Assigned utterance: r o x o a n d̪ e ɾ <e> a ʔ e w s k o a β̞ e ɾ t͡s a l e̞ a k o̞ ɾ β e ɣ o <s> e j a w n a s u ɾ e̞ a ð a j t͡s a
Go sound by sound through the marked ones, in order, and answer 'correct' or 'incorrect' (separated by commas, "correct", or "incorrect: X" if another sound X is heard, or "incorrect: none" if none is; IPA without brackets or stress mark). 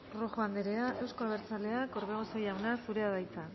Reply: correct, correct